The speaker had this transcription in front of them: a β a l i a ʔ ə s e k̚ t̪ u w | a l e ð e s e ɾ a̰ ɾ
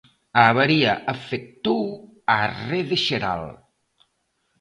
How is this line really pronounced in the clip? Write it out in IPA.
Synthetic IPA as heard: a β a ɾ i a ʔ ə f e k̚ t̪ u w | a r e ð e ʃ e ɾ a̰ l